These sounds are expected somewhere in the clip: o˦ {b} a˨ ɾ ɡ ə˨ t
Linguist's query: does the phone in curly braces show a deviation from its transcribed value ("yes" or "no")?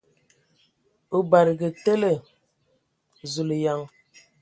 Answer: no